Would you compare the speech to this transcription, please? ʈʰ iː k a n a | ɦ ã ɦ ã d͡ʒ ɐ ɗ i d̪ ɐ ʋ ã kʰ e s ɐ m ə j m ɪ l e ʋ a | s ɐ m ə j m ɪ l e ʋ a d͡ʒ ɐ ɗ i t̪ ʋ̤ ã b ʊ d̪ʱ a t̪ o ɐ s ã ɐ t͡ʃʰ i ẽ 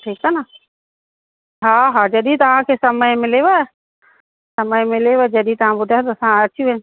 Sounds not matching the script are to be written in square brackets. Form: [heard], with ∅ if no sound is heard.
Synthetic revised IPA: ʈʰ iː k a n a | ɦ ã ɦ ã d͡ʒ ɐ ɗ i [t̪] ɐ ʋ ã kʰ e s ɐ m ə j m ɪ l e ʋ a | s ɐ m ə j m ɪ l e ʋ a d͡ʒ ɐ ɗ i t̪ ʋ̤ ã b ʊ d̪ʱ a t̪ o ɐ s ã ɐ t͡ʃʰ i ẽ